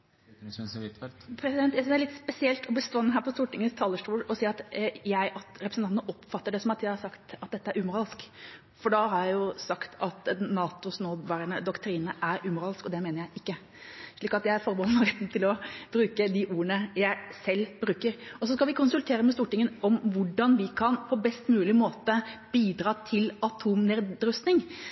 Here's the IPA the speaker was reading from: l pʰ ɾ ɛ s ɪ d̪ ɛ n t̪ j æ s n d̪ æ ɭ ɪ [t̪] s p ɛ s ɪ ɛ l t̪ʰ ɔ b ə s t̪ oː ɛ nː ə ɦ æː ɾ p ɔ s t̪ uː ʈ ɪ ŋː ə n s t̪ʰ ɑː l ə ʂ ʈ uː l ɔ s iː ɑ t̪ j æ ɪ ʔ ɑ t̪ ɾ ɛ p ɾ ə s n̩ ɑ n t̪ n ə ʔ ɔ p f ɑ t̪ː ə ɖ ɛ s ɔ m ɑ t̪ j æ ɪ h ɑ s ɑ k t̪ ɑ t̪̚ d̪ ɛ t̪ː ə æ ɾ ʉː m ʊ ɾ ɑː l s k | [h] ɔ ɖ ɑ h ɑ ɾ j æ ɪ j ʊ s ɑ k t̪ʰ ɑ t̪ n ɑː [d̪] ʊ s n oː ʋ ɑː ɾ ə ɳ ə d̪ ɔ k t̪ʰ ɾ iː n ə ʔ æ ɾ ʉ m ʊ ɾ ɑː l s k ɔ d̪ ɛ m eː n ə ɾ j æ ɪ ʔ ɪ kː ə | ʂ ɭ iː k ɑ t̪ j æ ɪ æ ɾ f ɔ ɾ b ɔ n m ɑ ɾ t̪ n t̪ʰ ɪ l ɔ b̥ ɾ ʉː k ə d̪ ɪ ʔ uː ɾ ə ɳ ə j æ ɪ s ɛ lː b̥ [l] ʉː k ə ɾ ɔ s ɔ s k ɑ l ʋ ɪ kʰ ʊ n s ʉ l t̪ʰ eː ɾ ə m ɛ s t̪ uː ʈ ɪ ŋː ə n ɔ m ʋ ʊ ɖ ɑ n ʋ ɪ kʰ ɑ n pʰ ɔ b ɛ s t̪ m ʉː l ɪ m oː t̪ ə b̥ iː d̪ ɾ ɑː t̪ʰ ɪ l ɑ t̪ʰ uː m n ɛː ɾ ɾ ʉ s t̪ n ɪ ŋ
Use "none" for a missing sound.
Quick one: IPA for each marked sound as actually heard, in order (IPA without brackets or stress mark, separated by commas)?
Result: t̪, f, t̪, ɾ